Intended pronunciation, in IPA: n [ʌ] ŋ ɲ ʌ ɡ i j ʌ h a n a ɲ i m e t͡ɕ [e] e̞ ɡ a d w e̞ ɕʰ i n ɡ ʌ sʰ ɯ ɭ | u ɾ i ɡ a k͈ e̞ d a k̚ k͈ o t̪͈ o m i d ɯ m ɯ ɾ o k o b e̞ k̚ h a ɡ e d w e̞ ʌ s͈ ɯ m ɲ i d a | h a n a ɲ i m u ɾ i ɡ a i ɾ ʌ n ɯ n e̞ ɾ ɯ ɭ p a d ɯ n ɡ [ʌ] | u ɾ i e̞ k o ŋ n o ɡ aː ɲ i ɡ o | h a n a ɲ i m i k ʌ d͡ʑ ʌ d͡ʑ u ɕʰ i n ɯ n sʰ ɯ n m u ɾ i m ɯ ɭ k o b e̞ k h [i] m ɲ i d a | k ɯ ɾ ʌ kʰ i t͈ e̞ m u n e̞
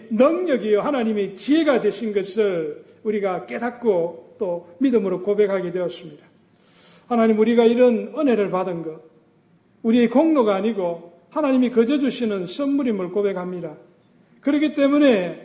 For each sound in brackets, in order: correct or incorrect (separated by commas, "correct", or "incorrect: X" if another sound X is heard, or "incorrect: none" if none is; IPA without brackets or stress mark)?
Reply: correct, incorrect: i, correct, incorrect: a